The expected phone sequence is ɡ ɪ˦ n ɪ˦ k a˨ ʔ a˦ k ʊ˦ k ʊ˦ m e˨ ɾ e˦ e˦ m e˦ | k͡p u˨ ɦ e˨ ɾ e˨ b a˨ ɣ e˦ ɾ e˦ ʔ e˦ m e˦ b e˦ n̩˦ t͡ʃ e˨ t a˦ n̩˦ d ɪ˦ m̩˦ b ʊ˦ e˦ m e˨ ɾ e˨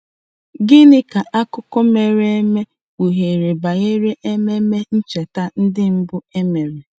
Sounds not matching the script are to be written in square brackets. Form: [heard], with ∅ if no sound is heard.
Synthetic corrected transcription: ɡ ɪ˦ n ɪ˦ k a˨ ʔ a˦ k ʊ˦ k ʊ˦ m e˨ ɾ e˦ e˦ m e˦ | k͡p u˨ ɦ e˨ ɾ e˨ b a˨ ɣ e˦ ɾ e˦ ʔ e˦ m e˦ [m] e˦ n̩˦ t͡ʃ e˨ t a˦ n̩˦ d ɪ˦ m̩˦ b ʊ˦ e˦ m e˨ ɾ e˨